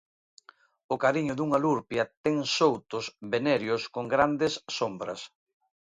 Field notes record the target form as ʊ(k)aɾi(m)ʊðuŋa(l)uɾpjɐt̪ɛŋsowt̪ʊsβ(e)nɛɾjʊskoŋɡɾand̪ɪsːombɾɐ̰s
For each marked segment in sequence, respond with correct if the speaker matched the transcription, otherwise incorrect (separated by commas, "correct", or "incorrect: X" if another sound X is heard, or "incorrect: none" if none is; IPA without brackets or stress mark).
correct, incorrect: ɲ, correct, correct